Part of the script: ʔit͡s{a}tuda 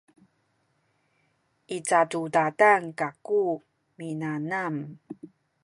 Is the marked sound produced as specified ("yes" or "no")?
yes